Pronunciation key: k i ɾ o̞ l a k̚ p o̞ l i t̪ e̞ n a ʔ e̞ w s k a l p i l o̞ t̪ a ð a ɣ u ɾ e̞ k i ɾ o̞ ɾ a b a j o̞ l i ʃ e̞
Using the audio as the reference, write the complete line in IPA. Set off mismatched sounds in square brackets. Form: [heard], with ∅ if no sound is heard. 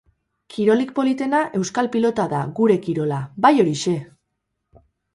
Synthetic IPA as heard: k i ɾ o̞ l [i] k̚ p o̞ l i t̪ e̞ n a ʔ e̞ w s k a l p i l o̞ t̪ a ð a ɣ u ɾ e̞ k i ɾ o̞ [l] a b a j o̞ [ɾ] i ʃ e̞